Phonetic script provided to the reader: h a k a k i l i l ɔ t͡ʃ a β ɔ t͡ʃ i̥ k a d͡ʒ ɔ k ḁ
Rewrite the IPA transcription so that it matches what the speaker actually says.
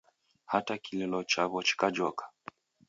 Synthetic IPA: h a t a k i l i l ɔ t͡ʃ a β ɔ t͡ʃ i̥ k a d͡ʒ ɔ k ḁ